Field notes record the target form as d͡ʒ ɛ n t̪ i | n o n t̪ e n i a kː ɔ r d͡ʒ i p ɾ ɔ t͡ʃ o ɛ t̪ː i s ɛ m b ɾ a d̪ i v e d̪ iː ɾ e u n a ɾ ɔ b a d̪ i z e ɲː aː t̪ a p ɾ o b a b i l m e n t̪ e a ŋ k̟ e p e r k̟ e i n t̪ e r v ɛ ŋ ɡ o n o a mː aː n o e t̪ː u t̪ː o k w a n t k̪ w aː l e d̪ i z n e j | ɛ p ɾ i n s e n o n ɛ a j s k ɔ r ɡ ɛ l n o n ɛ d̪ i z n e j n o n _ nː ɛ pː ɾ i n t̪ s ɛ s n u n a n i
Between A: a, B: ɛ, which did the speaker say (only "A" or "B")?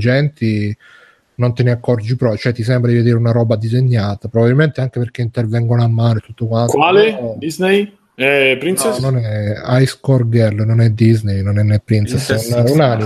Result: B